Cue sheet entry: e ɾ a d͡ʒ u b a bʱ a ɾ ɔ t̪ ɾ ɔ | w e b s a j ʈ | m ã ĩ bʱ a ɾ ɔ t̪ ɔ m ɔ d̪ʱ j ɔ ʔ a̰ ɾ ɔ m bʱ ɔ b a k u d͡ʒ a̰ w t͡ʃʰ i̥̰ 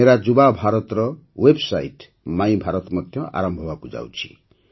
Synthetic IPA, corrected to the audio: e ɾ a d͡ʒ u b a bʱ a ɾ ɔ t̪ ɾ ɔ | w e b s a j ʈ | m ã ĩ bʱ a ɾ ɔ t̪ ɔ m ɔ d̪ʱ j ɔ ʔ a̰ ɾ ɔ m bʱ ɔ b a k u d͡ʒ a̰ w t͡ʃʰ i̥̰